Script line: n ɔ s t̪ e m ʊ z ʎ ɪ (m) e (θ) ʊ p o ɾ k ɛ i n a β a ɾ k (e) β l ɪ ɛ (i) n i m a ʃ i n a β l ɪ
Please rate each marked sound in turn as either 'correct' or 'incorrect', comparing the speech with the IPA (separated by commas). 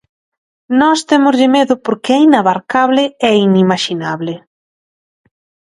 correct, incorrect, incorrect, correct